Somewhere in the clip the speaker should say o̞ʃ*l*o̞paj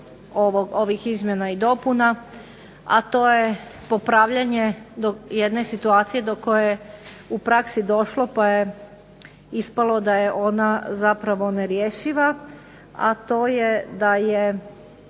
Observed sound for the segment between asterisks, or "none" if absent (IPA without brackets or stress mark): l